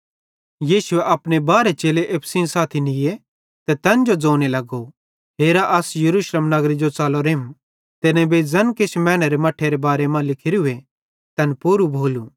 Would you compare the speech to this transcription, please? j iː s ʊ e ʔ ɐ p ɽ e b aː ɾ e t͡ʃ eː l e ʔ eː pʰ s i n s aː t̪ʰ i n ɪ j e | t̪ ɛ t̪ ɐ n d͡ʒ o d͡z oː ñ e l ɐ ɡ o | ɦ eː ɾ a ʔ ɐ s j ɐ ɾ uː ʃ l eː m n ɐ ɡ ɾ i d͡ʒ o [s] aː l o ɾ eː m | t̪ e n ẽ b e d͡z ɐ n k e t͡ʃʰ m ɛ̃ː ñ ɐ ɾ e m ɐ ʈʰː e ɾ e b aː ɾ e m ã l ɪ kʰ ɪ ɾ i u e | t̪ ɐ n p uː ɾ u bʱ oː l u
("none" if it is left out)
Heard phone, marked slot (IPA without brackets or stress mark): t͡s